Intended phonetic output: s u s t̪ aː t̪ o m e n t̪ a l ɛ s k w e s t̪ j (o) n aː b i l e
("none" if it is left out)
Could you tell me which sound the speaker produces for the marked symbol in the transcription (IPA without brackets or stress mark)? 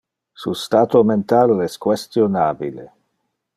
o